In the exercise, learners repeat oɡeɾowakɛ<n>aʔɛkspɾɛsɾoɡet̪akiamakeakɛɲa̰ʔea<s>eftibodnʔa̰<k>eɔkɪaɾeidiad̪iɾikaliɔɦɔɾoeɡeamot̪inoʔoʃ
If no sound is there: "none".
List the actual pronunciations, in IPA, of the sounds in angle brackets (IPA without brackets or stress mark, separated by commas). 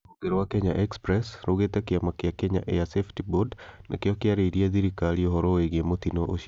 ɲ, s, k